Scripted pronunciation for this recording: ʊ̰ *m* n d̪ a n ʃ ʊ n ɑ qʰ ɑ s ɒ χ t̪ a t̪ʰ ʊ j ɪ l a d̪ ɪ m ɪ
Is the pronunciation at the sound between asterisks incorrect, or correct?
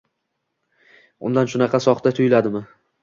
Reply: incorrect